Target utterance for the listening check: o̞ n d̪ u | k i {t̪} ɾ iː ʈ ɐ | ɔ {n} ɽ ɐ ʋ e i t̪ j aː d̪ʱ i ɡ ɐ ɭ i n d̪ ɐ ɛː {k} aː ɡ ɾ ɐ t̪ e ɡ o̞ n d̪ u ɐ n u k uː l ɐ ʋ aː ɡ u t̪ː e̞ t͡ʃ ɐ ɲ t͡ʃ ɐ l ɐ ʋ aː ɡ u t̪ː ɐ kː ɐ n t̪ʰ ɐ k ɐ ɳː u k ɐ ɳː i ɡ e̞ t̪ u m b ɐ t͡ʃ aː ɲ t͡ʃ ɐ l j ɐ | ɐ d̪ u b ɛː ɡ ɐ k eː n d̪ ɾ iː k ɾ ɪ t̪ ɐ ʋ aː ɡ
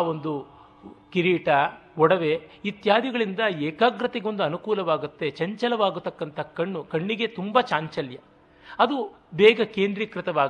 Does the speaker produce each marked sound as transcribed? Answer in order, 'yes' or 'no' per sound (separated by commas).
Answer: no, no, yes